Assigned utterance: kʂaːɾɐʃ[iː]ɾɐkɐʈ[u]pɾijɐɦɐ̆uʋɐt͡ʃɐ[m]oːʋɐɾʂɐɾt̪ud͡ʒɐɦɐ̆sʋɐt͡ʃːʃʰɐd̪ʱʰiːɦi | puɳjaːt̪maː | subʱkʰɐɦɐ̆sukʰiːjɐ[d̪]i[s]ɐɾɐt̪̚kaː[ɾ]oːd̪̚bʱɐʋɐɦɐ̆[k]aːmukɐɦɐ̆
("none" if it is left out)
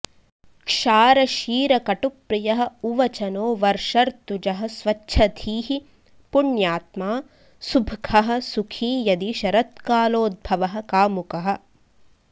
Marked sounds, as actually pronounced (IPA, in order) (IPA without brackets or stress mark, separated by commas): iː, u, n, d̪, ʃ, l, k